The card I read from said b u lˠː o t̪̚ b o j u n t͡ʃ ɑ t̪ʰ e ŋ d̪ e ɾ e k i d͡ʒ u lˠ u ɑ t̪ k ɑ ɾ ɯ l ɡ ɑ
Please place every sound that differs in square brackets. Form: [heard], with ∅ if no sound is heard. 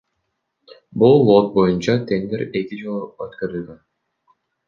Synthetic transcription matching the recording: b u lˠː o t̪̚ b o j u n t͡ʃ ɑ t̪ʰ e ŋ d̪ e ɾ e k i d͡ʒ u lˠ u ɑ t̪ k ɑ ɾ ɯ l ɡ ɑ